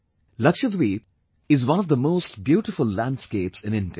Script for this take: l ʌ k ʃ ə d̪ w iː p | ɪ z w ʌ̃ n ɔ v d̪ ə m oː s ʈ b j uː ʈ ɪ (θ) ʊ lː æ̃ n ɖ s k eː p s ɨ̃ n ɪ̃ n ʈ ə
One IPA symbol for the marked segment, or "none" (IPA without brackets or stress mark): f